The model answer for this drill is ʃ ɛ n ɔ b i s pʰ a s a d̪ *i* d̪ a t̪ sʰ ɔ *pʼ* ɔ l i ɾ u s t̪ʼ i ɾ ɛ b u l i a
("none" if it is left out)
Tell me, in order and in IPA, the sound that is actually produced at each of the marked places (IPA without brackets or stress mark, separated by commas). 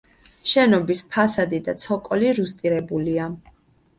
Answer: i, kʼ